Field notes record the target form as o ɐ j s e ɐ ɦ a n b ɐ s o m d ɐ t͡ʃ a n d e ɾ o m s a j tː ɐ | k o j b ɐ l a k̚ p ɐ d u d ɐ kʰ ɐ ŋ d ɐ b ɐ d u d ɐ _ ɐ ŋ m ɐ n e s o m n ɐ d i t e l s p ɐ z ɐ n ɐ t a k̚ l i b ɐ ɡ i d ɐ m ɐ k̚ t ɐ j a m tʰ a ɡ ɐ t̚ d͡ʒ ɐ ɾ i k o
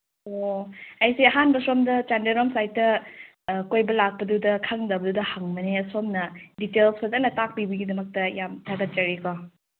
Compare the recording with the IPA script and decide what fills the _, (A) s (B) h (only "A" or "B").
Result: B